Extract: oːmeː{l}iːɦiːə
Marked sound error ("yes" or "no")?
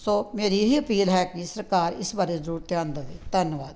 yes